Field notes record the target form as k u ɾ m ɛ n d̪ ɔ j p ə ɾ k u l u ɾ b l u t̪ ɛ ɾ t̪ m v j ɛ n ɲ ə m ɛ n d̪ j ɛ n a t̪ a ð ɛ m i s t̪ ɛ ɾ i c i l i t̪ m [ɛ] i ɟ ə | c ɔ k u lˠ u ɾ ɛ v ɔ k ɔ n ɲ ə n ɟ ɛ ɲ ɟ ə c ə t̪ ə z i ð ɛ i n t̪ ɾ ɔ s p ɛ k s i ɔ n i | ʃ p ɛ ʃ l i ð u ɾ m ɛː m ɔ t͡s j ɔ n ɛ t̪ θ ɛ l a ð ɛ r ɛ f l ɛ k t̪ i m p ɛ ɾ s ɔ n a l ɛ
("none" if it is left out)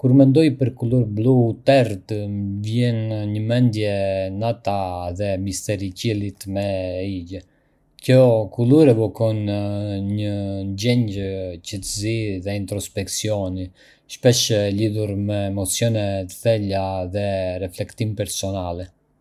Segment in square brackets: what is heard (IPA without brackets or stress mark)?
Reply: ɛ